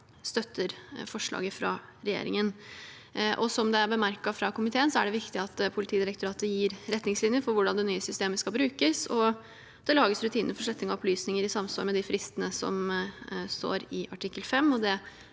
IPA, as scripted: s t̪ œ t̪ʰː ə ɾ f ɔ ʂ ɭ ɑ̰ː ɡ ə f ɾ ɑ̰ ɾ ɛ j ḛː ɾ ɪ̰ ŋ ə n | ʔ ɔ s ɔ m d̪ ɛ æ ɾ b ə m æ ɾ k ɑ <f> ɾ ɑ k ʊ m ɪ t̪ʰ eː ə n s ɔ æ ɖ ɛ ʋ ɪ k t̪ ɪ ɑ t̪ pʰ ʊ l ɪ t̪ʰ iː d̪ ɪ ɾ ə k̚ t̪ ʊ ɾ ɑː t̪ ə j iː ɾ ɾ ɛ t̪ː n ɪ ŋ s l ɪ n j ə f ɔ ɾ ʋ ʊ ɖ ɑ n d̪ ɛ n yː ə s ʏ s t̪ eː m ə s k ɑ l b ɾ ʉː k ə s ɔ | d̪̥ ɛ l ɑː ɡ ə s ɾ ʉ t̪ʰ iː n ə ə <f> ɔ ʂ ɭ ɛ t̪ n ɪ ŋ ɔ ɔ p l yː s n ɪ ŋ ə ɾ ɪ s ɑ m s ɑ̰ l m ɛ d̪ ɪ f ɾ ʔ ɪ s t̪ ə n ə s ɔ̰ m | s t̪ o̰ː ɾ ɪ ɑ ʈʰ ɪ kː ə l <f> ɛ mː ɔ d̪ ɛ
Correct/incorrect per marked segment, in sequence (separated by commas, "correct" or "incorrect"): correct, correct, correct